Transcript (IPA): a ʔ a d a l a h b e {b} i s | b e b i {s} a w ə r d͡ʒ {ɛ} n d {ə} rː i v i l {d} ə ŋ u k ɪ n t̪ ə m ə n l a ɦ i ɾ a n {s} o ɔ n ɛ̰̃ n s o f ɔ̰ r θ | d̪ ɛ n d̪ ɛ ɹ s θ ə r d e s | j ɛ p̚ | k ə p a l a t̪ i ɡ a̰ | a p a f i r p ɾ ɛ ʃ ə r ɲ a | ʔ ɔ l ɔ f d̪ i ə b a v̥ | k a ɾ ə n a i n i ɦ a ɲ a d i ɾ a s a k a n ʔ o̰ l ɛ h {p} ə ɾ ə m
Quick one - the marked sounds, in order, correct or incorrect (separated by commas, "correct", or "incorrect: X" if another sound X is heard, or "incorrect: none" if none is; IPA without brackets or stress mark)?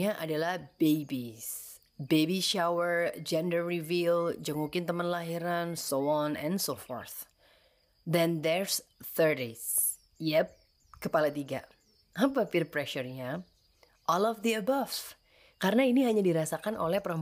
correct, incorrect: ʃ, correct, correct, incorrect: d͡ʒ, correct, correct